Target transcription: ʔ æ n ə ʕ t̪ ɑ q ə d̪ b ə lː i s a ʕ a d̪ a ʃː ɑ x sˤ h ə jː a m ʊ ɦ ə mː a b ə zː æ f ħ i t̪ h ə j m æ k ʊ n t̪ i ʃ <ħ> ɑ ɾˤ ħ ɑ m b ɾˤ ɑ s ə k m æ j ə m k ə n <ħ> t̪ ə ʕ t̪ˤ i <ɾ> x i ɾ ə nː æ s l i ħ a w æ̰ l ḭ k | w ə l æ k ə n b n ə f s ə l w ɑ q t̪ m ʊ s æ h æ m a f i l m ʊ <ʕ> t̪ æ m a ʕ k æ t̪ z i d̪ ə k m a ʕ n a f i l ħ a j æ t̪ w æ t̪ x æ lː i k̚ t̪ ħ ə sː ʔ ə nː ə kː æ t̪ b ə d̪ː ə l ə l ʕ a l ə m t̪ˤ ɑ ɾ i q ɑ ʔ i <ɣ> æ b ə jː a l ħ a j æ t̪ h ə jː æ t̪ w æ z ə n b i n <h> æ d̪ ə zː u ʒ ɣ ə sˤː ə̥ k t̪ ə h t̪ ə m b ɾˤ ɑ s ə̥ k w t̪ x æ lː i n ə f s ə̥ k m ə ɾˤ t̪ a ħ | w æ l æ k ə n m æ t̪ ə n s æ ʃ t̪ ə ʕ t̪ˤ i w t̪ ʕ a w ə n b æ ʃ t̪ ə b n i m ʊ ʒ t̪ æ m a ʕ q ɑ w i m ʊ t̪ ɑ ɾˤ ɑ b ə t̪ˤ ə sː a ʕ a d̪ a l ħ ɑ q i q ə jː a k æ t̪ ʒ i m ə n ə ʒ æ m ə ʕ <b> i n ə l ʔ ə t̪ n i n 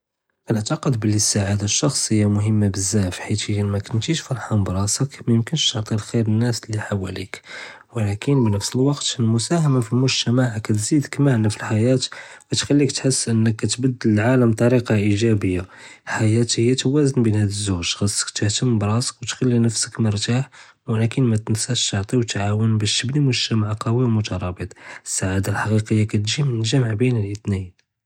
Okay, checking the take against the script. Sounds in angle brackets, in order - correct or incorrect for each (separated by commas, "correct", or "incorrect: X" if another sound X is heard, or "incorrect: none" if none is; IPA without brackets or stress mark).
incorrect: f, incorrect: ʃ, incorrect: l, incorrect: ʒ, incorrect: ʒ, correct, correct